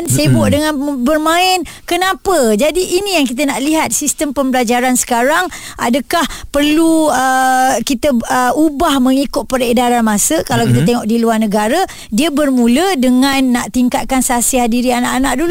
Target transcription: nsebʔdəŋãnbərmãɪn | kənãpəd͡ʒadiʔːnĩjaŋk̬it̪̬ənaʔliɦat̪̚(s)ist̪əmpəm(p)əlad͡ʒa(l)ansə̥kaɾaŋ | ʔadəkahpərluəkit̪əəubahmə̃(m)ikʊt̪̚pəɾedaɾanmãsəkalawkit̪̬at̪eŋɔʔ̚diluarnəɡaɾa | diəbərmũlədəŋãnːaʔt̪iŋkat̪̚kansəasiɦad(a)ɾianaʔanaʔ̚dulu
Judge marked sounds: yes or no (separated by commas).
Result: yes, no, no, no, no